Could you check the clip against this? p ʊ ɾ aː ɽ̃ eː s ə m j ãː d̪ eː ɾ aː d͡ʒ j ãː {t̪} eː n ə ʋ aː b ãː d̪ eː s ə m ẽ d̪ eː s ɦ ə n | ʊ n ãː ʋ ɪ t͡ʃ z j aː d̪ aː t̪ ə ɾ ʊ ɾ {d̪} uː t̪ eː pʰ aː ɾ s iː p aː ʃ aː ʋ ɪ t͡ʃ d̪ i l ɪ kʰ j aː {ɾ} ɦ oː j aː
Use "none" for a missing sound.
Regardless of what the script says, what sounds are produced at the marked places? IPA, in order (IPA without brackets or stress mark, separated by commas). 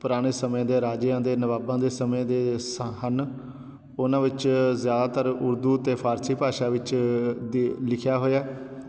d̪, d̪, none